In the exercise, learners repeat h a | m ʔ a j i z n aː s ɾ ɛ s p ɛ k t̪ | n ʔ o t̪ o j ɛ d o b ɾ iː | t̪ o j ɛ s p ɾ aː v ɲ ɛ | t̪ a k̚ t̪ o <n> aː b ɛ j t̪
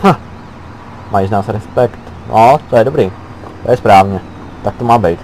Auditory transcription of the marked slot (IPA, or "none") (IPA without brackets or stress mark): m